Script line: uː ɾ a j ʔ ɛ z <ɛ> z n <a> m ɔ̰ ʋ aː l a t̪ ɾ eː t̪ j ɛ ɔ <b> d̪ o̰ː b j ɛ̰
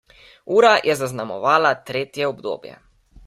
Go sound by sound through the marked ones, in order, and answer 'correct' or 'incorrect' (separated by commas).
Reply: incorrect, correct, correct